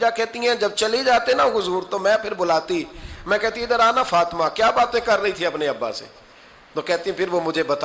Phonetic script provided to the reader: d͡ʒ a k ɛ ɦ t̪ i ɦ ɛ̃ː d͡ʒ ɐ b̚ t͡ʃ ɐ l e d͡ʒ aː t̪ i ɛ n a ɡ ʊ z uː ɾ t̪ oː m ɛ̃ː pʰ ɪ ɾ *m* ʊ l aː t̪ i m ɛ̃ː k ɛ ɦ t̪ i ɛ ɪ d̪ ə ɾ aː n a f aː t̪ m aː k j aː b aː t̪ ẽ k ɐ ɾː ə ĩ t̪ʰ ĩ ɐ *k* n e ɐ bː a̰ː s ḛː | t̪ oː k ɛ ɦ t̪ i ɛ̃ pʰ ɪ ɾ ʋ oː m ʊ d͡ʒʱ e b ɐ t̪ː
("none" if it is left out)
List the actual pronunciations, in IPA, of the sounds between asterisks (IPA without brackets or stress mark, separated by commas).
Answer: b, p